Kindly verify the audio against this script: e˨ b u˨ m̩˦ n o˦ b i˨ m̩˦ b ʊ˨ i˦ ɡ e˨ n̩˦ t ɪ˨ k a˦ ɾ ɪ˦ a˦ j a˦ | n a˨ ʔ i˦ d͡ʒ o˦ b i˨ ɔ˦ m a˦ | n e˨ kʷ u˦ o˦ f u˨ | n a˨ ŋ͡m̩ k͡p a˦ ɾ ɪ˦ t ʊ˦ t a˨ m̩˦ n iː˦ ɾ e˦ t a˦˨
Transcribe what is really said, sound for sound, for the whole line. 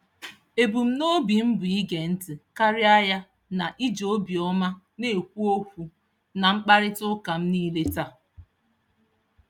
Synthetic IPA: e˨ b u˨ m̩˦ n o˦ b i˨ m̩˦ b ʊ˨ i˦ ɡ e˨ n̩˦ t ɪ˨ k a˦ ɾ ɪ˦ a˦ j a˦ | n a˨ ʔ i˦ d͡ʒ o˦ b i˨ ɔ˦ m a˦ | n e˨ kʷ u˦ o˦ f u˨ | n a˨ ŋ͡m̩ k͡p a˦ ɾ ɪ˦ t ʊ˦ k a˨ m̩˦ n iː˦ l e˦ t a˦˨